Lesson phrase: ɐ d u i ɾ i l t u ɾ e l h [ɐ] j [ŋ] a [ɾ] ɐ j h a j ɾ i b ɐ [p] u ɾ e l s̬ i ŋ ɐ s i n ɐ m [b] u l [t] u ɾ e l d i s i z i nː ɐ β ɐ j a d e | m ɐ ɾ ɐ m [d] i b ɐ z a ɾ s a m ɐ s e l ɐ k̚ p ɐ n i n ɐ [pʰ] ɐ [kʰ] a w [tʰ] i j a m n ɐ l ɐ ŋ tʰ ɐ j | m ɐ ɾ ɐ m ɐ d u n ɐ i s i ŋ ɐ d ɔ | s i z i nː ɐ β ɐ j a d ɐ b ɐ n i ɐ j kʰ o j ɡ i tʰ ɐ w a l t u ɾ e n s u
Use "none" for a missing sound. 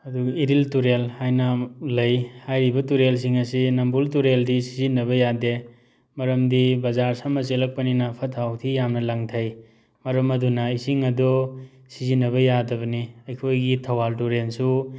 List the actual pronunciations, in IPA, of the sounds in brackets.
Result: a, n, l, t, b, t, d, pʰ, tʰ, tʰ

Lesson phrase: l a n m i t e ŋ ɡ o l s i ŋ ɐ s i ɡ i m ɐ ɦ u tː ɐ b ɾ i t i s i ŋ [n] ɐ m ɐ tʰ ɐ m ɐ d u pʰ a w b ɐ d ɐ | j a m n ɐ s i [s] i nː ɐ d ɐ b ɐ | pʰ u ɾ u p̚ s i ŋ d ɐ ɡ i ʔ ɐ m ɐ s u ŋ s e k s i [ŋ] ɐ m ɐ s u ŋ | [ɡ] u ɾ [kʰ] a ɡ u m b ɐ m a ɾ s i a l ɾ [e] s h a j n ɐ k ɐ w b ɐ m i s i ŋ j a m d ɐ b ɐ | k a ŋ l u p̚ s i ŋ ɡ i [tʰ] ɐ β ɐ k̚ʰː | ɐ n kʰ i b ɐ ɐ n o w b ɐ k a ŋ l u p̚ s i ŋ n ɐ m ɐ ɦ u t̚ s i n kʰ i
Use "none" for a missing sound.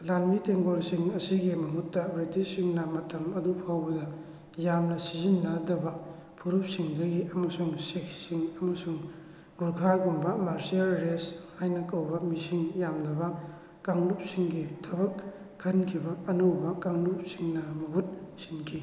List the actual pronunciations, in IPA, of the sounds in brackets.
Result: n, z, ŋ, ɡ, kʰ, e, tʰ

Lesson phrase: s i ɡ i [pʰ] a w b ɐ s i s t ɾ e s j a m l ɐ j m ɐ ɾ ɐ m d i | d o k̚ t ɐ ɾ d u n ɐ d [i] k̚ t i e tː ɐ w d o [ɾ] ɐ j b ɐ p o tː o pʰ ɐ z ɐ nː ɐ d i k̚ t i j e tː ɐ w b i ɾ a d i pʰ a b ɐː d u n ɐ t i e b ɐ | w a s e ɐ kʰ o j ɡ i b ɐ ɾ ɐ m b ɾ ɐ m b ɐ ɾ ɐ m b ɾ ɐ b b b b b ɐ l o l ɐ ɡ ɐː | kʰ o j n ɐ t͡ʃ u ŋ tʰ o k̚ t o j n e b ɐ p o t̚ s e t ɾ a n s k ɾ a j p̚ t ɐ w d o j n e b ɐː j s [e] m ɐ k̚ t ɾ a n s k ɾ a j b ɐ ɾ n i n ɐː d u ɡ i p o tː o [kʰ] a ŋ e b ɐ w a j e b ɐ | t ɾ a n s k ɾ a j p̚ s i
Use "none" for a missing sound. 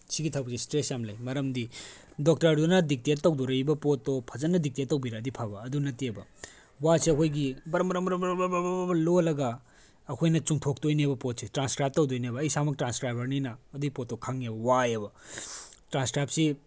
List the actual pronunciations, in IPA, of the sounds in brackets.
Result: tʰ, i, ɾ, a, kʰ

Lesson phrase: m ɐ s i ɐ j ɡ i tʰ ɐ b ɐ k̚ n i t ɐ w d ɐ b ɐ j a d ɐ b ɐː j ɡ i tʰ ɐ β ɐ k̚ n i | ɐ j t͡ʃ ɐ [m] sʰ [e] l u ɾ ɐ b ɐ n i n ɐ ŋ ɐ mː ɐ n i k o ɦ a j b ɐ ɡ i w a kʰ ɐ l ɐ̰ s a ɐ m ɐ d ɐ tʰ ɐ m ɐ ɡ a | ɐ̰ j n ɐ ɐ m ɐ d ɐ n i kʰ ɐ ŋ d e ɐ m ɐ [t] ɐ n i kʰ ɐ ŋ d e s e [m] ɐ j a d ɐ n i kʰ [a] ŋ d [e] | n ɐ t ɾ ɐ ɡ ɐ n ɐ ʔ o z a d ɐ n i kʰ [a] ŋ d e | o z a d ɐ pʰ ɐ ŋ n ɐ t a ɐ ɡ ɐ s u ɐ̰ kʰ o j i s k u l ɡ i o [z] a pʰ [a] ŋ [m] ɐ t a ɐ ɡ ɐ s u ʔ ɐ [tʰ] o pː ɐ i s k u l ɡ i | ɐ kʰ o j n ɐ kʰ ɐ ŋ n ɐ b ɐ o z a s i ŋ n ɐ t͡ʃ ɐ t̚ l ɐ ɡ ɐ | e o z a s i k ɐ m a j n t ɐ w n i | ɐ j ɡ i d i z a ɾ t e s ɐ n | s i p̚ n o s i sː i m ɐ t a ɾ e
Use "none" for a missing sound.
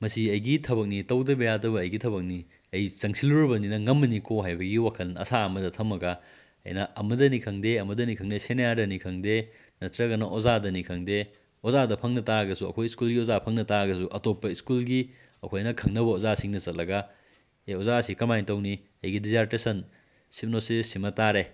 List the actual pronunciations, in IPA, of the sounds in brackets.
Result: ŋ, i, d, n, ɐ, e, ɐ, z, ɐ, n, t

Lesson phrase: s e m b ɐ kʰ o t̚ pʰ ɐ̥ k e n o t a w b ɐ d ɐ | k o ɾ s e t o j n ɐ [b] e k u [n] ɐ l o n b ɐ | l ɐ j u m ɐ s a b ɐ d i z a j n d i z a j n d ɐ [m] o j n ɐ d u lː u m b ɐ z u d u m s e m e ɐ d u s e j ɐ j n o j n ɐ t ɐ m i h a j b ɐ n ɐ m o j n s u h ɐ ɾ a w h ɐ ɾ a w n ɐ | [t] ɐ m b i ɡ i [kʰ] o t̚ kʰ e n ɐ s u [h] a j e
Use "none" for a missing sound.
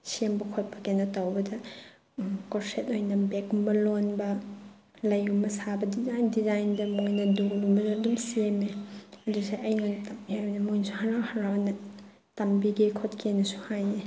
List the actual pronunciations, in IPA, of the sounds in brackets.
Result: b, m, m, t, kʰ, h

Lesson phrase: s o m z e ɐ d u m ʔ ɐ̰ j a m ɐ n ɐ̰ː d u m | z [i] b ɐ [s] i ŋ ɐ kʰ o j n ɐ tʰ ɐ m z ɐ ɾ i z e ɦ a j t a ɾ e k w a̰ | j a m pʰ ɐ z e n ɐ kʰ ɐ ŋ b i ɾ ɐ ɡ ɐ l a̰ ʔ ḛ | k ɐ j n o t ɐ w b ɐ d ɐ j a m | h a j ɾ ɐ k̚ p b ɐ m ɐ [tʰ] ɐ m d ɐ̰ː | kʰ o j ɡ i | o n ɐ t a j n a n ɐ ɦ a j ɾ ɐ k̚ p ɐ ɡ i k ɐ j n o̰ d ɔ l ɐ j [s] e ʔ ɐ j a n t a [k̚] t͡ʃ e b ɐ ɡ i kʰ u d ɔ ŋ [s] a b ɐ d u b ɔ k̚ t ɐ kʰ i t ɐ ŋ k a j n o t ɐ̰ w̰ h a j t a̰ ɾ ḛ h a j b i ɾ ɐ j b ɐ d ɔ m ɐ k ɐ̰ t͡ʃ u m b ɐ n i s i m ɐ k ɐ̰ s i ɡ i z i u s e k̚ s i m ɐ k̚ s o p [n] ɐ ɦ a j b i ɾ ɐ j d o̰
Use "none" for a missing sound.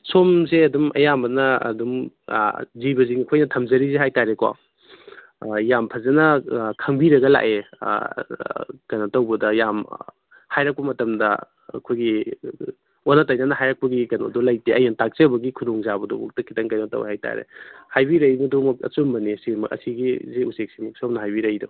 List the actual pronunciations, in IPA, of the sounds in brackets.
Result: i, z, t, t, k̚, z, n

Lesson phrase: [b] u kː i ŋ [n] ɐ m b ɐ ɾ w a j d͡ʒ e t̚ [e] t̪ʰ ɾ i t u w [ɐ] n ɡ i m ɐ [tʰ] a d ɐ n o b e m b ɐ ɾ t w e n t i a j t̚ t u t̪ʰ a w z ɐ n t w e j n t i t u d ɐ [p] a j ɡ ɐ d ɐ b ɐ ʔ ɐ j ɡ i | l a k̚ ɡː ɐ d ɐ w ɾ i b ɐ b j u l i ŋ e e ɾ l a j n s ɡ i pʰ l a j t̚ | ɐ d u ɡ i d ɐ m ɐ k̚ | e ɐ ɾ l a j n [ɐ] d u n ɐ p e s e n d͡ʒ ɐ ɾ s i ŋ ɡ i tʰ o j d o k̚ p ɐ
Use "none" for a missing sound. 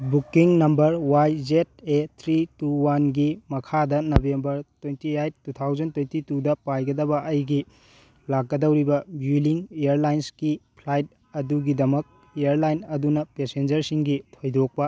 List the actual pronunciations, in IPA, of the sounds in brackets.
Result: b, n, e, a, kʰ, p, ɐ

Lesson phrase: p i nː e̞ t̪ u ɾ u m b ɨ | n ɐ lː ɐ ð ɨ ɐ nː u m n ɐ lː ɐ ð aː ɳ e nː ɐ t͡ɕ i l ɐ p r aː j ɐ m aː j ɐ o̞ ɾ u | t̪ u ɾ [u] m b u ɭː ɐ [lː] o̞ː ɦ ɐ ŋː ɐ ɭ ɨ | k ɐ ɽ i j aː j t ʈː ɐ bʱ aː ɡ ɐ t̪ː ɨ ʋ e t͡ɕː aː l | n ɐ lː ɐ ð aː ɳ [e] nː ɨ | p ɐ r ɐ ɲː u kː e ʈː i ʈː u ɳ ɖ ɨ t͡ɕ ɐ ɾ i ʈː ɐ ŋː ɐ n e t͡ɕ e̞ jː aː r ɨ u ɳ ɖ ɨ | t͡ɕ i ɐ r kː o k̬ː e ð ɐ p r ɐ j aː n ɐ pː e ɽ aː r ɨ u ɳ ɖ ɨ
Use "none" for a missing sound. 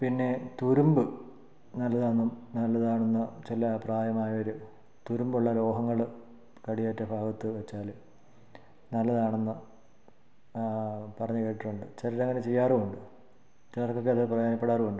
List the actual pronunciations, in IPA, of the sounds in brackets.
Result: u, l, e

